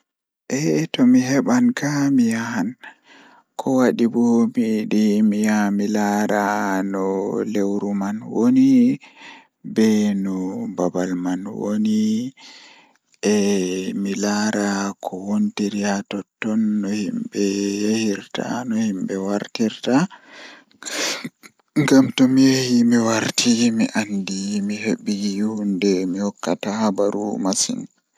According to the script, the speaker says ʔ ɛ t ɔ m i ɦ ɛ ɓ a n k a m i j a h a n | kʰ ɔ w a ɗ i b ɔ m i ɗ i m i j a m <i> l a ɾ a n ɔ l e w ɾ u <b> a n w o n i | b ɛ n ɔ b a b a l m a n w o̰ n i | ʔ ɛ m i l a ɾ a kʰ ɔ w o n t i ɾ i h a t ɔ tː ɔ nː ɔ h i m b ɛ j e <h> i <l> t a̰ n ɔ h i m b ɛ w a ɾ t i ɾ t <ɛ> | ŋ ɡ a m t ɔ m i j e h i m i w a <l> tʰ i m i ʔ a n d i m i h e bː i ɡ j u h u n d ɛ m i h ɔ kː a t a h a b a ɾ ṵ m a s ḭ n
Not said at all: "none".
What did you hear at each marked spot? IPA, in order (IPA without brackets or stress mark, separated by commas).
i, m, h, ɾ, a, ɾ